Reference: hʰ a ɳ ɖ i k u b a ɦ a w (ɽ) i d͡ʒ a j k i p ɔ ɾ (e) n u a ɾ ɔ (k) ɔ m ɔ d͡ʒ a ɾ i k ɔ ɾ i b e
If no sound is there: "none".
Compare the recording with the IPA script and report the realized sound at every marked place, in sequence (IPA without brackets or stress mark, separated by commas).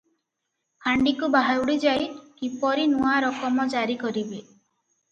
ɽ, i, k